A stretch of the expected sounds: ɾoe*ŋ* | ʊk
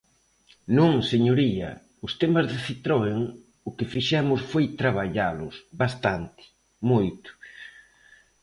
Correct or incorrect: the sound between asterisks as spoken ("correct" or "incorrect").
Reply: correct